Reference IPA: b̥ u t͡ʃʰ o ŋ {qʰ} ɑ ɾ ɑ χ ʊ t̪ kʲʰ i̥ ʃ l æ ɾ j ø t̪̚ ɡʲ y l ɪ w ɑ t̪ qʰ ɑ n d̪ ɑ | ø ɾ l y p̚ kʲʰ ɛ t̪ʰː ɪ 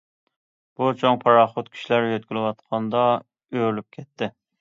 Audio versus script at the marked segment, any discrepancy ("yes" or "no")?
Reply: yes